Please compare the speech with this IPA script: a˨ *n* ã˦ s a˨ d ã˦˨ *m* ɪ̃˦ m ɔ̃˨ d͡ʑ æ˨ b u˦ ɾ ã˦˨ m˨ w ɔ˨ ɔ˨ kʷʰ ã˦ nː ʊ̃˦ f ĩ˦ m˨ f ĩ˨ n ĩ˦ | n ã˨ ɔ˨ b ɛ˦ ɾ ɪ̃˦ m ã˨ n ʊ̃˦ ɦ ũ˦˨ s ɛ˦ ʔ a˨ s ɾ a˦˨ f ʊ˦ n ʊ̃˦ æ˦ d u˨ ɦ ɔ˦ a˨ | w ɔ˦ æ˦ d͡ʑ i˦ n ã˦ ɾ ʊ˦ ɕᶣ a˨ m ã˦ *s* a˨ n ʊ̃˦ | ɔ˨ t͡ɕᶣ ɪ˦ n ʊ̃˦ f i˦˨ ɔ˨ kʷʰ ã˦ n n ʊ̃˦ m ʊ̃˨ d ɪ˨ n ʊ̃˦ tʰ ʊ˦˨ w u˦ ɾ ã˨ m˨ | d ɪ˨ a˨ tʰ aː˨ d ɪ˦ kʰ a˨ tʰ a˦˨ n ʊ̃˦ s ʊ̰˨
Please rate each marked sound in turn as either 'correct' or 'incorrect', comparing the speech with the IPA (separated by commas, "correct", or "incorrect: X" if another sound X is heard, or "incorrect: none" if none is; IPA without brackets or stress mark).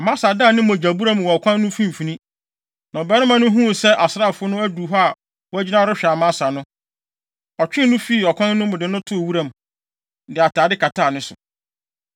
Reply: incorrect: m, incorrect: n, correct